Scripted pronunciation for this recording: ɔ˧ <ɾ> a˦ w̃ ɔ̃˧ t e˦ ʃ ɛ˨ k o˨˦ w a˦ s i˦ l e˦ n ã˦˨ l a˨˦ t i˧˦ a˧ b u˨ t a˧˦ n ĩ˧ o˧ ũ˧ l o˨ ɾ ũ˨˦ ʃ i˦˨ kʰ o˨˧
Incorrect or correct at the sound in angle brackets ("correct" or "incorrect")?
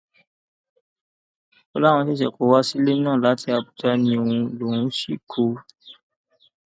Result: incorrect